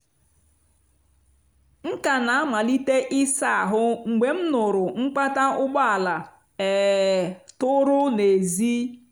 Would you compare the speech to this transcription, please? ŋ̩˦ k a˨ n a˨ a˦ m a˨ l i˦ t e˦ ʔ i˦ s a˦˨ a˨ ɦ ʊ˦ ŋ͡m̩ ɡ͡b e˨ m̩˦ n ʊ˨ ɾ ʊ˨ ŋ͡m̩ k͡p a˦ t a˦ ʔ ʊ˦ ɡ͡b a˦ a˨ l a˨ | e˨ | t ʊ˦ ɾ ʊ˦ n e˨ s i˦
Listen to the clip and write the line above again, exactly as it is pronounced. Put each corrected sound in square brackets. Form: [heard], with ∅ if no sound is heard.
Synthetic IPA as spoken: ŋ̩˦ k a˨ n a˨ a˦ m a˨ l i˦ t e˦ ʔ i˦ s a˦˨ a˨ ɦ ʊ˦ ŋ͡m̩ ɡ͡b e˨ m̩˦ n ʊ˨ ɾ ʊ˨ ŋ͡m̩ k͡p a˦ t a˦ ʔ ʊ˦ ɡ͡b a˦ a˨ l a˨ | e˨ | t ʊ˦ ɾ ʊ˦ n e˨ [z] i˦